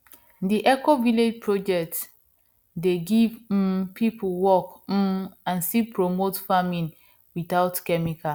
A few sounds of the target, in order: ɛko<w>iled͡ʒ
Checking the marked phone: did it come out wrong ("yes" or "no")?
yes